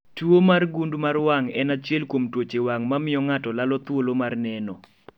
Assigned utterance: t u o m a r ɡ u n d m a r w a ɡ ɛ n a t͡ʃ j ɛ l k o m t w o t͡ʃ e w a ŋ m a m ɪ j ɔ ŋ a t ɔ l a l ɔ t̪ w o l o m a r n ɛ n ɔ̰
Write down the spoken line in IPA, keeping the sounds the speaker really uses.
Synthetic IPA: t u o m a r ɡ u n d m a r w a ŋ ɛ n a t͡ʃ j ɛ l k o m t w o t͡ʃ e w a ŋ m a m ɪ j ɔ ŋ a t ɔ l a l ɔ t̪ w o l o m a r n ɛ n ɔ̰